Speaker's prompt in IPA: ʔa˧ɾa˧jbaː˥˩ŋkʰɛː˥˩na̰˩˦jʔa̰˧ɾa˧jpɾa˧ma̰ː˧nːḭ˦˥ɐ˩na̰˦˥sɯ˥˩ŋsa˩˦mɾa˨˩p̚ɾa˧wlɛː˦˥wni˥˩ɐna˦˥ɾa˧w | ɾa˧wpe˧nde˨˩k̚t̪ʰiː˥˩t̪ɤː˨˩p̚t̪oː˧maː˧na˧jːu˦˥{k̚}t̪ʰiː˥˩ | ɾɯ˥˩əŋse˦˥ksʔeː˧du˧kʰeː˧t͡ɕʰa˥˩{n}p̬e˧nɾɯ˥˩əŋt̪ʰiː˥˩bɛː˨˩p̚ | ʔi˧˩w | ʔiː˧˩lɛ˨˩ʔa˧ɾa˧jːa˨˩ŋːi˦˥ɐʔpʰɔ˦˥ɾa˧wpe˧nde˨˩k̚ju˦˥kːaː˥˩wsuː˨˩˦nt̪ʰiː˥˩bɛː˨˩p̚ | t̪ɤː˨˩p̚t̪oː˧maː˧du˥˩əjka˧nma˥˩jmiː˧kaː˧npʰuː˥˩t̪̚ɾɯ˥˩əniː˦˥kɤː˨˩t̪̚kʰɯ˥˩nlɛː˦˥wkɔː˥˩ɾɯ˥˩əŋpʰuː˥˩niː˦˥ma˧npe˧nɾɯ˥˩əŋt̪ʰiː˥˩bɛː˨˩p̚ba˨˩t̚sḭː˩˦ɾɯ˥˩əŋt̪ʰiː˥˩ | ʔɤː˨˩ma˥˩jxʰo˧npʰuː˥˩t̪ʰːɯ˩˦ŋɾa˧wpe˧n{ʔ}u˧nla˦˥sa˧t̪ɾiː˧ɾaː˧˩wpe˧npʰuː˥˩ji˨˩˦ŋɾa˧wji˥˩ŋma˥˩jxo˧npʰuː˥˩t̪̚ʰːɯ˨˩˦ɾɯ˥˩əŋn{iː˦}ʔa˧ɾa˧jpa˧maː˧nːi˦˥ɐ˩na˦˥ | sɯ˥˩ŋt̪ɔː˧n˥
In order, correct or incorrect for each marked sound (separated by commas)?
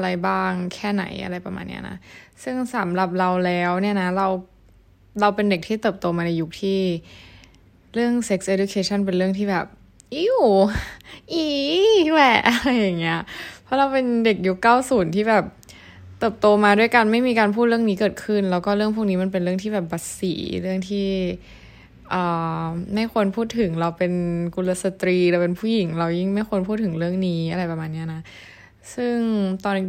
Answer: correct, correct, incorrect, correct